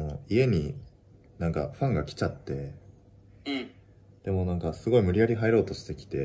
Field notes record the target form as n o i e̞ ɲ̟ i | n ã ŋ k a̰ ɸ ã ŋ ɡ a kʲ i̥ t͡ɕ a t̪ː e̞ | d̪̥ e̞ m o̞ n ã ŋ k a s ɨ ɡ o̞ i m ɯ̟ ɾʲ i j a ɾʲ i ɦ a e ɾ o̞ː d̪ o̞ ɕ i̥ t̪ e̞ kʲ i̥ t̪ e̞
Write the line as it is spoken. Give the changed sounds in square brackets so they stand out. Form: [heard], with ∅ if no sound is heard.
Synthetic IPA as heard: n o i e̞ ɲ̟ i | n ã ŋ k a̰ ɸ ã ŋ ɡ a kʲ i̥ t͡ɕ a t̪ː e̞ | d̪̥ e̞ m o̞ n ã ŋ k a s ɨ ɡ o̞ i m ɯ̟ ɾʲ i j a ɾʲ i ɦ a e ɾ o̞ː [t̪] o̞ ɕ i̥ t̪ e̞ kʲ i̥ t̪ e̞